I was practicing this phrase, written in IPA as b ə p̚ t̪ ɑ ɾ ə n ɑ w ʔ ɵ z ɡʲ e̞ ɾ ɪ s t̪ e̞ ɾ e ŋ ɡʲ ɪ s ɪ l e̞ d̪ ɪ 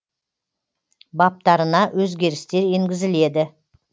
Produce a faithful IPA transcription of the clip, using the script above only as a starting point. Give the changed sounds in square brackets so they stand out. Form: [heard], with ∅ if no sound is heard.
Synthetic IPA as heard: b [ɑ] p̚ t̪ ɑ ɾ ə n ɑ w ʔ ɵ z ɡʲ e̞ ɾ ɪ s t̪ e̞ ɾ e ŋ ɡʲ ɪ [z] ɪ l e̞ d̪ ɪ